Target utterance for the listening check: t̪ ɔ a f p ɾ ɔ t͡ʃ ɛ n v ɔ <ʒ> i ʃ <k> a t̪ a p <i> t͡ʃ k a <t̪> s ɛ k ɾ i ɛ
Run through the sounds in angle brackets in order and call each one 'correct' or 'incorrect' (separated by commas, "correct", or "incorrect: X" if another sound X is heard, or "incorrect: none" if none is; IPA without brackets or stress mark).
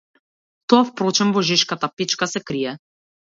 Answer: correct, correct, correct, incorrect: none